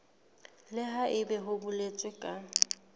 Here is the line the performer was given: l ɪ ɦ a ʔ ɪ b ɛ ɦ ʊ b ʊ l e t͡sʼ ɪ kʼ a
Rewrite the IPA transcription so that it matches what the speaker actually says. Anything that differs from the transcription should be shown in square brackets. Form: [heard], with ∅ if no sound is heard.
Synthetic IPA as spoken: l ɪ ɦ a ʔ ɪ b ɛ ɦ ʊ b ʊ l e t͡sʼ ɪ kʼ a